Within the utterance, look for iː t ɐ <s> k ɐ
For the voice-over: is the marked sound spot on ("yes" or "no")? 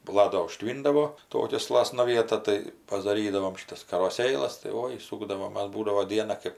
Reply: yes